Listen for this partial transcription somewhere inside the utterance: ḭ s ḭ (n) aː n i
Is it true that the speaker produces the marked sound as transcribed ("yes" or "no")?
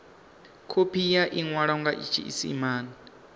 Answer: no